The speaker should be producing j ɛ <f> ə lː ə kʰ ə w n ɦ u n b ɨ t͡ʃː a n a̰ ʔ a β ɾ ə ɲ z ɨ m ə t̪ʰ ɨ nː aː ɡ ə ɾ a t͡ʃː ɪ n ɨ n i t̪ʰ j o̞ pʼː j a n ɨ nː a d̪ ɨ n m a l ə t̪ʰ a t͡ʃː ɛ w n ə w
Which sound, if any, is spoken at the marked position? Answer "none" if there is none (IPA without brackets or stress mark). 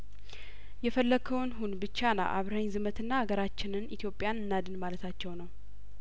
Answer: f